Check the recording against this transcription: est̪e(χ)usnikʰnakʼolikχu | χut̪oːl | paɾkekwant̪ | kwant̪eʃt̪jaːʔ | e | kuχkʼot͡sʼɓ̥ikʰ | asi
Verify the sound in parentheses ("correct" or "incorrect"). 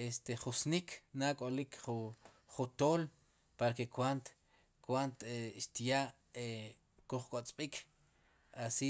correct